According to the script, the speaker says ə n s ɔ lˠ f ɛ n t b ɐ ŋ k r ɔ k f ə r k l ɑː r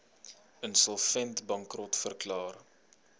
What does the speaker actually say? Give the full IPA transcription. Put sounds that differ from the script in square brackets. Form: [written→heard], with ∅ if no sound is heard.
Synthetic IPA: ə n s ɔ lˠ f ɛ n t b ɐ ŋ k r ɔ [k→t] f ə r k l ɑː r